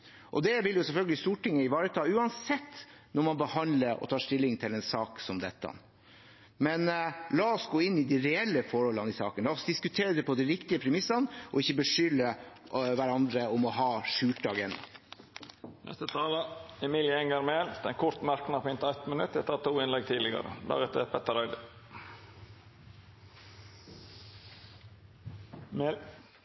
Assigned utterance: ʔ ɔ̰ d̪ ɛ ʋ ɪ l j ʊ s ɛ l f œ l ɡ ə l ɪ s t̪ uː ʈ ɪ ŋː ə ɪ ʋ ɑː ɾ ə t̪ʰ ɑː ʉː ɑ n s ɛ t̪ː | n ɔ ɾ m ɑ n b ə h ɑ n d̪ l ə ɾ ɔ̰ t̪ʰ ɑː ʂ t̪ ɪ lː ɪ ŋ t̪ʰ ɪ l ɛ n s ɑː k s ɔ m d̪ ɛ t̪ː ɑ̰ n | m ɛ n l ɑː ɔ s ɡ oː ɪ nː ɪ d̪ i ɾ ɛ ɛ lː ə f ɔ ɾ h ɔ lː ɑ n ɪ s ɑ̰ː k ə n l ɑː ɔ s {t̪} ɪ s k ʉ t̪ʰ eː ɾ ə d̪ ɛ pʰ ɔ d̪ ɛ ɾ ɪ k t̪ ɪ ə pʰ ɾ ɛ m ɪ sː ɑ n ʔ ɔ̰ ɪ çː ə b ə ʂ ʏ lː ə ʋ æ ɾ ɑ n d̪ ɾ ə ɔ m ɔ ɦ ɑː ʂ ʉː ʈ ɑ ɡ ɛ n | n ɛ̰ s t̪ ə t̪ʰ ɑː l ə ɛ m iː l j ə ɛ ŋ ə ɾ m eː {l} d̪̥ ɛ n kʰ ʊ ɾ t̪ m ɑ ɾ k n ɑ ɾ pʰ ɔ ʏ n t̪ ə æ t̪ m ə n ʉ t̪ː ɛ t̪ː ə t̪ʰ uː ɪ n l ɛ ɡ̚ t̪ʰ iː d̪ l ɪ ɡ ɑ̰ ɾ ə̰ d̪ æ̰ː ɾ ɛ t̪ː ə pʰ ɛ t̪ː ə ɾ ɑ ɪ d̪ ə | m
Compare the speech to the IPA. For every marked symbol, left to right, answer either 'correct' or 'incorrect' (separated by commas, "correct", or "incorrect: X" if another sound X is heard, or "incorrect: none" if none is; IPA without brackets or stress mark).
incorrect: d̪, correct